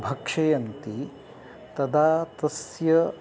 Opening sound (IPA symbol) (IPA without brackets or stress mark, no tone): bʱ